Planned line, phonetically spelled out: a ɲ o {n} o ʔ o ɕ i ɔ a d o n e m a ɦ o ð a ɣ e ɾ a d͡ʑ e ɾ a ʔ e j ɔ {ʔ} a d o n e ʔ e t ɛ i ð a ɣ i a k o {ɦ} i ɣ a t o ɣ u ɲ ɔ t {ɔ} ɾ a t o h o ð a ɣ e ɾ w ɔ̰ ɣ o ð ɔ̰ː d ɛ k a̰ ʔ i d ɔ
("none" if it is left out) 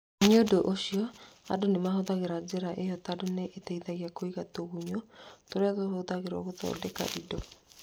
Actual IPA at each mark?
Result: d, t, none, o

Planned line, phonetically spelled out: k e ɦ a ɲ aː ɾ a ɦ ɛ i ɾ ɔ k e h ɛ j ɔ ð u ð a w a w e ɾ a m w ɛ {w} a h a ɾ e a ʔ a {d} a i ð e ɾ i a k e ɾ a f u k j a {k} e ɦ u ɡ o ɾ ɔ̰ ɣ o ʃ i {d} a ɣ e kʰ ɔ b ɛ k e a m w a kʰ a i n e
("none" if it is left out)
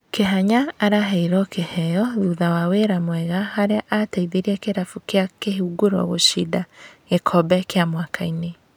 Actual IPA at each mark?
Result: ɣ, t, k, d

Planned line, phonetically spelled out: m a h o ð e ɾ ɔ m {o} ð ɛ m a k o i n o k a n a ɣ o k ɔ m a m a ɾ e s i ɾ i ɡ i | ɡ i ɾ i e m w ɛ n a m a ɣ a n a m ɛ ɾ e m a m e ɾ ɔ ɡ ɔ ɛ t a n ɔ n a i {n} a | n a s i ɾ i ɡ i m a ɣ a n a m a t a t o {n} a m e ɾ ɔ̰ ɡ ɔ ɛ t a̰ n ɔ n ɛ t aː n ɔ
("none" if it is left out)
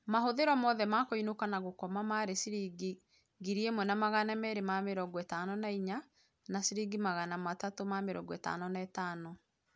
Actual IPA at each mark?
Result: ɔ, ɲ, m

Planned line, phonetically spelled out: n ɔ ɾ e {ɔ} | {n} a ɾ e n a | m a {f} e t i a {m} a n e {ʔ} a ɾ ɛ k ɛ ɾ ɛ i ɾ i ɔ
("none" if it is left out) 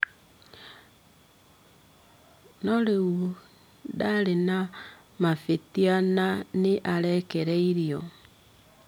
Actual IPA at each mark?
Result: u, d, f, n, ʔ

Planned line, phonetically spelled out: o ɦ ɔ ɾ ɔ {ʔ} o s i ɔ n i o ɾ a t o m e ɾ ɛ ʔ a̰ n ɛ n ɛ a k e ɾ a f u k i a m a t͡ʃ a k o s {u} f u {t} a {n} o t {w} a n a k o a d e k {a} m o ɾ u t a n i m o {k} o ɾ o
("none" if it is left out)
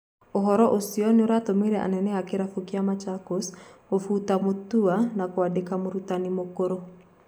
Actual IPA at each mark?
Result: ʔ, o, t, m, u, a, k

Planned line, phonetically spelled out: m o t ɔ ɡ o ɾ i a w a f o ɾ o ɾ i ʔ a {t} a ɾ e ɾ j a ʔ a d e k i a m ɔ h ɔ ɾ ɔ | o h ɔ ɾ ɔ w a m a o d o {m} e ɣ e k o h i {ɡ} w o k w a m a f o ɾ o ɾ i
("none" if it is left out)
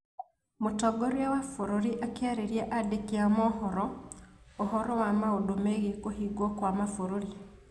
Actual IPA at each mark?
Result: k, m, ɡ

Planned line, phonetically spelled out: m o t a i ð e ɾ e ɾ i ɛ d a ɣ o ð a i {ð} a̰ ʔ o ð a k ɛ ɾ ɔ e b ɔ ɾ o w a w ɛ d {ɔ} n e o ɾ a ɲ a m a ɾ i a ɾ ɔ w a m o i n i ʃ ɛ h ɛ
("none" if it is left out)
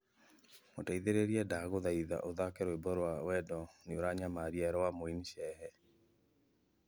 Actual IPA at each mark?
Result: ð, ɔ

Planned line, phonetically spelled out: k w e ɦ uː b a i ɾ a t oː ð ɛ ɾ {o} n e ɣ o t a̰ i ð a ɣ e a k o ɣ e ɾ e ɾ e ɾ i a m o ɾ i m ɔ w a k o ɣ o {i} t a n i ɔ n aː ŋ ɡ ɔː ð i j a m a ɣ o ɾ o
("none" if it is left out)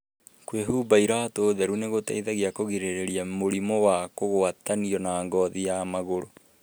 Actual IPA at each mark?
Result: u, a

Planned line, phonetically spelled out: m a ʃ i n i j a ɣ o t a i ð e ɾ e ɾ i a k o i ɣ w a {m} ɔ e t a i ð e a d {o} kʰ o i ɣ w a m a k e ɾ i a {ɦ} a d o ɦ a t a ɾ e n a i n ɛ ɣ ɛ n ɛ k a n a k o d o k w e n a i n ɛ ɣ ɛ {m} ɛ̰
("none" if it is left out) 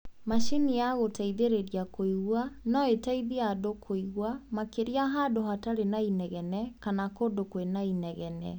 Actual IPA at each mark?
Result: n, o, ɦ, n

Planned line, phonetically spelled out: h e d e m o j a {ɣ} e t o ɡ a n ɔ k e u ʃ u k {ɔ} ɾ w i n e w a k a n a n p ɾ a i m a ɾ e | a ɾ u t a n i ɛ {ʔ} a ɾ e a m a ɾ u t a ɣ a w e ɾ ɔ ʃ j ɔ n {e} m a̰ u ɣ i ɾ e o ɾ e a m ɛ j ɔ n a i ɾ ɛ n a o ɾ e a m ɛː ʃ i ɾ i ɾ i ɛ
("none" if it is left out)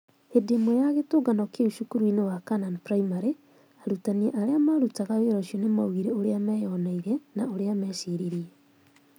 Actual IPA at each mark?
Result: ɣ, u, ʔ, e

